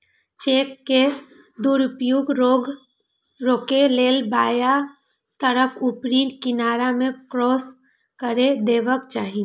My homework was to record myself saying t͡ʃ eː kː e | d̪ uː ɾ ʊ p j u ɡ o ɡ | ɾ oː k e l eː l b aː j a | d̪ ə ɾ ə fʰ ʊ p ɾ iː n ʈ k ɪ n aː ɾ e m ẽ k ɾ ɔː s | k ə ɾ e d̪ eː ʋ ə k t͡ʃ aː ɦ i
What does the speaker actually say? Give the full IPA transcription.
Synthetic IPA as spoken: t͡ʃ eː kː e | d̪ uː ɾ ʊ p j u ɡ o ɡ | ɾ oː k e l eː l b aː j a | t̪ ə ɾ ə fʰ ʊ p ɾ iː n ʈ k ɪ n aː ɾ a m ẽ k ɾ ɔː s | k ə ɾ e d̪ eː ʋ ə k t͡ʃ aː ɦ i